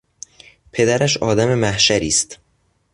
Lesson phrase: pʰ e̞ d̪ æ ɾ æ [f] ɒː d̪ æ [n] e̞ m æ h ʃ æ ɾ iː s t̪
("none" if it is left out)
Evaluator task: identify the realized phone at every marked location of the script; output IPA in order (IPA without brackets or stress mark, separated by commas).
ʃ, m